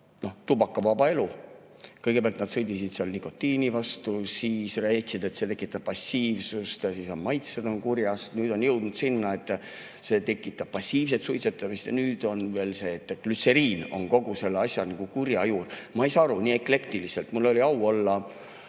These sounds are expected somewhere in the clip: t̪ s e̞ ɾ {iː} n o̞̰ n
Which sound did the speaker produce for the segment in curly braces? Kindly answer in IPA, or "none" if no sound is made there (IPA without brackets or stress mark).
iː